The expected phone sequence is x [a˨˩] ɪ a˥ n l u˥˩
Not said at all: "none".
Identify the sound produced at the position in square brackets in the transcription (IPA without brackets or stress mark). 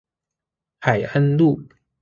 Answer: a˨˩